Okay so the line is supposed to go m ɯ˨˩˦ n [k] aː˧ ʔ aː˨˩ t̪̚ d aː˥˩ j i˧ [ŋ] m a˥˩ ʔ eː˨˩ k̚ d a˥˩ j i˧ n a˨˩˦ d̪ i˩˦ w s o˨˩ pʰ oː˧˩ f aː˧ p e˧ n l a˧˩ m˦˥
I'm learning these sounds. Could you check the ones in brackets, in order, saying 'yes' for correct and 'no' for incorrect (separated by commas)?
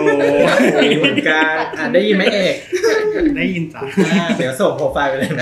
yes, no